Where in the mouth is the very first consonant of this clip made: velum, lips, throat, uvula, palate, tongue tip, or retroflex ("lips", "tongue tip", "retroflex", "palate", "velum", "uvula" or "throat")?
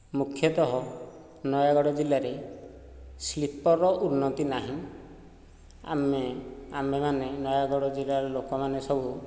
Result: lips